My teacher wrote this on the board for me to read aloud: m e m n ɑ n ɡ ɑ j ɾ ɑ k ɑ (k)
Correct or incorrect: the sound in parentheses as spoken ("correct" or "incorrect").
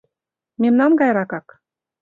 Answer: correct